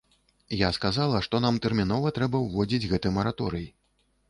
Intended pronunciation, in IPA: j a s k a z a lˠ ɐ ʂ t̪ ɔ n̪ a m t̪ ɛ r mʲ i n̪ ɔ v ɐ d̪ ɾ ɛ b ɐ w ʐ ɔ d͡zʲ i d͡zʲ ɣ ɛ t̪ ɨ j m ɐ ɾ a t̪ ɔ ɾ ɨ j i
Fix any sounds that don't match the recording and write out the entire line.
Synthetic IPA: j a s k a z a lˠ ɐ ʂ t̪ ɔ n̪ a m t̪ ɛ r mʲ i n̪ ɔ v ɐ t̪ ɾ ɛ b ɐ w v ɔ d͡zʲ i d͡zʲ ɣ ɛ t̪ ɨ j m ɐ ɾ a t̪ ɔ ɾ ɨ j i

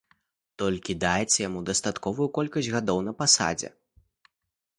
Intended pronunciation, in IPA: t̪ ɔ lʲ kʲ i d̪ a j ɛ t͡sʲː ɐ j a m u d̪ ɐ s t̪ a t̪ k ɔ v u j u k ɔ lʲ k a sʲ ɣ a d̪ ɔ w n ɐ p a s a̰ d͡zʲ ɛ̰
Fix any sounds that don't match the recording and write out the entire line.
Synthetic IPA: t̪ ɔ lʲ kʲ i d̪ a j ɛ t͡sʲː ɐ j a m u d̪ ɐ s t̪ a t̪ k ɔ v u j u k ɔ lʲ k ɐ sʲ ɣ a d̪ ɔ w n ɐ p a s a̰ d͡zʲ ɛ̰

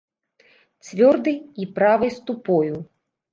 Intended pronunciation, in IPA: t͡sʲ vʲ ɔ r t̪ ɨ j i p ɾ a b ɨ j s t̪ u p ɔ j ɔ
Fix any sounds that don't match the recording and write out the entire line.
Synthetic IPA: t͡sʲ vʲ ɔ r d̪ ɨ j i p ɾ a v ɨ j s t̪ u p ɔ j u

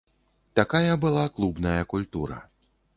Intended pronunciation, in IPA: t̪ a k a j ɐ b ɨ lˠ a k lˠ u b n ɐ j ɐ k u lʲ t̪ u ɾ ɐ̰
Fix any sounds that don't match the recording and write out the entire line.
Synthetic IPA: t̪ a k a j ɐ b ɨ lˠ a k lˠ u b n ɐ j ɐ k u lʲ t̪ u ɾ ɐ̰

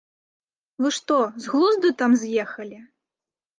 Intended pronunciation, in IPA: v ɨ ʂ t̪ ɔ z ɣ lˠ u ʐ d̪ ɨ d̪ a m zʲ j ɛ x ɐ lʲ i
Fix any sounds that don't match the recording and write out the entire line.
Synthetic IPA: v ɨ ʂ t̪ ɔ z ɣ lˠ u z d̪ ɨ t̪ a m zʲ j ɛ x ɐ lʲ i

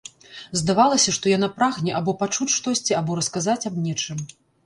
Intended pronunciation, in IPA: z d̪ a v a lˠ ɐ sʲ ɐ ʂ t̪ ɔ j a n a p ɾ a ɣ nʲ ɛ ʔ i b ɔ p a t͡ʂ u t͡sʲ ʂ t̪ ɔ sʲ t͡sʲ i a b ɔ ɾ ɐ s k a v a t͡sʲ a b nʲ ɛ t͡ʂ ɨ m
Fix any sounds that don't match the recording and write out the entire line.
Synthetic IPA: z d̪ a v a lˠ ɐ sʲ ɐ ʂ t̪ ɔ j a n a p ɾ a ɣ nʲ ɛ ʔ a b ɔ p a t͡ʂ u t͡sʲ ʂ t̪ ɔ sʲ t͡sʲ i a b ɔ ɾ ɐ s k a z a t͡sʲ a b nʲ ɛ t͡ʂ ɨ m

